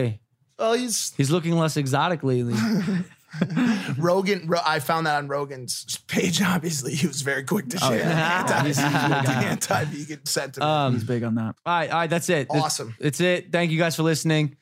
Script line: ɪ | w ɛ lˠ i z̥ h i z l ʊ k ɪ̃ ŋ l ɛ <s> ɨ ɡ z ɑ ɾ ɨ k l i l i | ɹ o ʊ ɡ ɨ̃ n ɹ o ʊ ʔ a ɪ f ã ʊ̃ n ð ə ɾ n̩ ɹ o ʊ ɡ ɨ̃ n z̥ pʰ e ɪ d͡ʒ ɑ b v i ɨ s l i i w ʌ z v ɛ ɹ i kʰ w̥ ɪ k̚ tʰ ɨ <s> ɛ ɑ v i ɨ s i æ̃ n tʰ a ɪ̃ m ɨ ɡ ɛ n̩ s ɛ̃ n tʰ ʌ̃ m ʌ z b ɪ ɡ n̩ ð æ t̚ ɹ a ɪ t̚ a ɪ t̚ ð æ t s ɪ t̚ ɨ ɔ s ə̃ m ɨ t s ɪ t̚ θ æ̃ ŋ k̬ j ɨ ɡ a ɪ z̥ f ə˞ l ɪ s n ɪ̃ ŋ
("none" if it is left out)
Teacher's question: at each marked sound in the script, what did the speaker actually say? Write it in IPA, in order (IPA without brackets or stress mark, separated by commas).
s, ʃ